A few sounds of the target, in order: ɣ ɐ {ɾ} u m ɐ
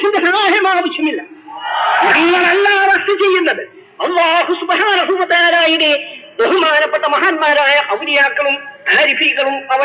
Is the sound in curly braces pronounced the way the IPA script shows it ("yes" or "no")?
no